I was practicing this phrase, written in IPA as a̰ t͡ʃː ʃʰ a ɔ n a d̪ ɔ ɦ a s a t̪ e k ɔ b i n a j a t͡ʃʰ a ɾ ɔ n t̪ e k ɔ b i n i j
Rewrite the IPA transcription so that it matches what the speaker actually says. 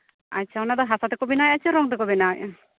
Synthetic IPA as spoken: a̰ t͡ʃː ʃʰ a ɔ n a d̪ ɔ ɦ a s a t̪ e k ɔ b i n a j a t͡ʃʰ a ɾ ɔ ŋ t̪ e k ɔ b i n a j